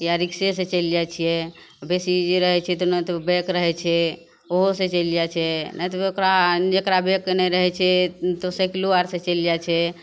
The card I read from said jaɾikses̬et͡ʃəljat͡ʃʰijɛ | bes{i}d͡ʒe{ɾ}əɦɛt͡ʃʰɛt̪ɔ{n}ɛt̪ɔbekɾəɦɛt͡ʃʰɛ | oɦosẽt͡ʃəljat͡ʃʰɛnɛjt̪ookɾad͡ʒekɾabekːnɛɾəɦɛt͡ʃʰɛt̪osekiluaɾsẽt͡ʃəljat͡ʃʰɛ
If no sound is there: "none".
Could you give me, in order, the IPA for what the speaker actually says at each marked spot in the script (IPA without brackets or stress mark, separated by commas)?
i, ɾ, n